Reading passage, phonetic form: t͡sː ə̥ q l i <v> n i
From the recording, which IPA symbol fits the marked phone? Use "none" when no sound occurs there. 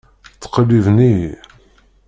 v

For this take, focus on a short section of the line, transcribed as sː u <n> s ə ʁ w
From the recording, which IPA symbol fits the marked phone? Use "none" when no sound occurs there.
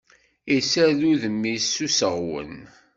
none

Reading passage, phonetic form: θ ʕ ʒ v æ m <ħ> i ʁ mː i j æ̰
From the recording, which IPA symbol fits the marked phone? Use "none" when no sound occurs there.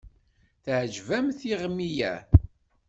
θ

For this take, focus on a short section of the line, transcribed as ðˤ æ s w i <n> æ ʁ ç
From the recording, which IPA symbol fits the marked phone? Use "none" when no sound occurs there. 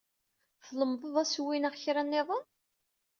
n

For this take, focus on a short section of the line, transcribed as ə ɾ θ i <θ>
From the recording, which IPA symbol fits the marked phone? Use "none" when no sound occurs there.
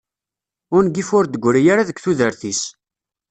s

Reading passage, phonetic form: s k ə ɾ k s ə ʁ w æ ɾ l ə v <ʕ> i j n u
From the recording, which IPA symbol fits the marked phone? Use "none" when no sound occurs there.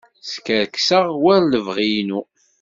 ʁ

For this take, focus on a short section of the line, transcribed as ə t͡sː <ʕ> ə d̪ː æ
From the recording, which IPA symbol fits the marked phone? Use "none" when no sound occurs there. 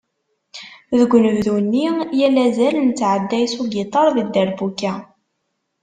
ʕ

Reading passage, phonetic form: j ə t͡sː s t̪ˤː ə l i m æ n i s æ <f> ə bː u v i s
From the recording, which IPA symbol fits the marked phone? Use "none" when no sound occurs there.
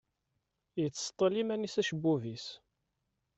ʃ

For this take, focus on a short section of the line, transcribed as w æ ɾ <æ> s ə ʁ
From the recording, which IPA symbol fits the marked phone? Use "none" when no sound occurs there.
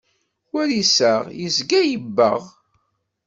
i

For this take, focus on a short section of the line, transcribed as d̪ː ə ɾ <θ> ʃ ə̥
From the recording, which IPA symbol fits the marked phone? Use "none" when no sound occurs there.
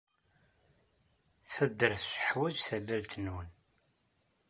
θ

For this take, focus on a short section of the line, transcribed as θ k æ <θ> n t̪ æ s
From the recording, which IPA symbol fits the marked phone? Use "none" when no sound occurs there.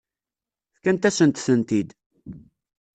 none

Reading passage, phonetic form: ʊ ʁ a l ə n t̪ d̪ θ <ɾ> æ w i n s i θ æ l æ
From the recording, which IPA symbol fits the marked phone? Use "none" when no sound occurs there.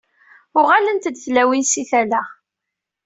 l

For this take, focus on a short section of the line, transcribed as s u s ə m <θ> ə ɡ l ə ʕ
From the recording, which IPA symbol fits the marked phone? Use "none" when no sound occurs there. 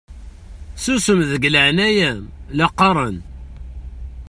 ð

